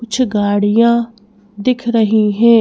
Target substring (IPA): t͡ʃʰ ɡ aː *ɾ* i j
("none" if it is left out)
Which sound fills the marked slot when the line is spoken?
ɽ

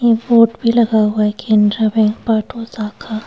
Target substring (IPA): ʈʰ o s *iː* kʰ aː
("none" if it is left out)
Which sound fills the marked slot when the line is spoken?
aː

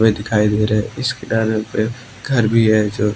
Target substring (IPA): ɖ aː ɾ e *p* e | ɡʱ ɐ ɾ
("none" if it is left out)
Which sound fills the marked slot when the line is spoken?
p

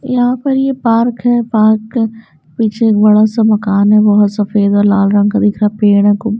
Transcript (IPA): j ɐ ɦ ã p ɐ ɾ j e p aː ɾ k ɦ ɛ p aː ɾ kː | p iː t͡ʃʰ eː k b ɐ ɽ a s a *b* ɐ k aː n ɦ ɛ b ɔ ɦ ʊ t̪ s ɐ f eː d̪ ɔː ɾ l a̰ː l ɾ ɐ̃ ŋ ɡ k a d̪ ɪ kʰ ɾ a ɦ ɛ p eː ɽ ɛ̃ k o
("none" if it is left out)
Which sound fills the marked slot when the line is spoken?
m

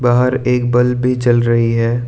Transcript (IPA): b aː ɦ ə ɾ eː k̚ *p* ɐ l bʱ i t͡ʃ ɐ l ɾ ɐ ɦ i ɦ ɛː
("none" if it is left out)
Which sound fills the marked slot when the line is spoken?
b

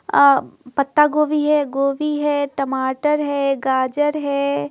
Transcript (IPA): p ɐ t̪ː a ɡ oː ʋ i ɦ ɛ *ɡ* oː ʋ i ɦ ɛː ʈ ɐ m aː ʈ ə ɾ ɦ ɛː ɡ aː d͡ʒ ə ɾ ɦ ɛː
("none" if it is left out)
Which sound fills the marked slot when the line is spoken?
ɡ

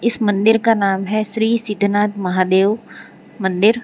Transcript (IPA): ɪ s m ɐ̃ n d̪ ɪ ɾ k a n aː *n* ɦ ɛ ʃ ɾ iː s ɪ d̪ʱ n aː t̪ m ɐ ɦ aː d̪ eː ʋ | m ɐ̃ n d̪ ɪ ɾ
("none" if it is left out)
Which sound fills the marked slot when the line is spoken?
m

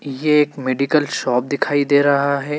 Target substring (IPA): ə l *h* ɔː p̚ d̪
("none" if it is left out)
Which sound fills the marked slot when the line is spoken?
ʃ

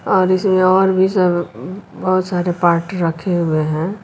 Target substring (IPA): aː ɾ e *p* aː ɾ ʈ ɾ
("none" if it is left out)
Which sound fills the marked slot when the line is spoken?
p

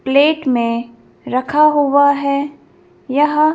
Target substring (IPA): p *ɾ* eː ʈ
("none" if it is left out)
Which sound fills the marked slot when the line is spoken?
l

